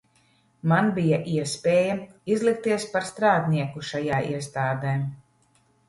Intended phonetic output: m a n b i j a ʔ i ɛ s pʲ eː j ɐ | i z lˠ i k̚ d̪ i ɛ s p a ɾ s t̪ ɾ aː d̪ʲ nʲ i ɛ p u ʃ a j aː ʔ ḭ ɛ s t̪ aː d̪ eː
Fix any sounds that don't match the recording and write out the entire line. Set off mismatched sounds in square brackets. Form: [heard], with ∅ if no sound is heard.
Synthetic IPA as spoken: m a n b i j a ʔ i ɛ s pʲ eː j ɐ | i z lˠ i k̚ [t̪] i ɛ s p a ɾ s t̪ ɾ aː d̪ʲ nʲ i ɛ [k] u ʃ a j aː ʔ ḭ ɛ s t̪ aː d̪ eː